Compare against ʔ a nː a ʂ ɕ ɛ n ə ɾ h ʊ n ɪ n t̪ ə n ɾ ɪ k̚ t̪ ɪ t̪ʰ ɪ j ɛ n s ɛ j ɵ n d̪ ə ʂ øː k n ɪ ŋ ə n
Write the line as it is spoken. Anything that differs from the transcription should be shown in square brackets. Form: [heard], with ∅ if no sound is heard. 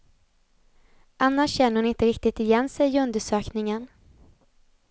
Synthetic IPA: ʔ a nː a ʂ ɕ ɛ [nː] ə ɾ h ʊ n ɪ n t̪ ə [∅] ɾ ɪ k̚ t̪ ɪ [t̪] ɪ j ɛ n s ɛ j ɵ n d̪ ə ʂ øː k n ɪ ŋ ə n